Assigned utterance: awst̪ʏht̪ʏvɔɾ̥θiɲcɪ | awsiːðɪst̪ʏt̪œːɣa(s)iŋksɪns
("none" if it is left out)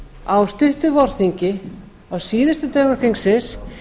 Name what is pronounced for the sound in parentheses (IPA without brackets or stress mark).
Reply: f